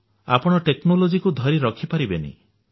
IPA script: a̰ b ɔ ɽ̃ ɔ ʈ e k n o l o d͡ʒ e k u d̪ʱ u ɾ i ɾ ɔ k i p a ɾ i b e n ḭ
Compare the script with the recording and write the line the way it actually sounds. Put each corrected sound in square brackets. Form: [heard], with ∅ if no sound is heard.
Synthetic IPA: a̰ [p] ɔ ɽ̃ ɔ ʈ e k n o l o d͡ʒ [i] k u d̪ʱ [ɔ] ɾ i ɾ ɔ [kʰ] i p a ɾ i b e n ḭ